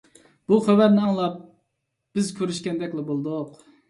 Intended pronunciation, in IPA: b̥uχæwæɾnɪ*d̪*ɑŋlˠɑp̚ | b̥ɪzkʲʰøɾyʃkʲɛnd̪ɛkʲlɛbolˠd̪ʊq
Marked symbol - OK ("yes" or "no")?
no